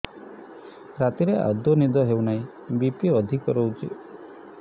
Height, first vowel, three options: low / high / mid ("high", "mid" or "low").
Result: low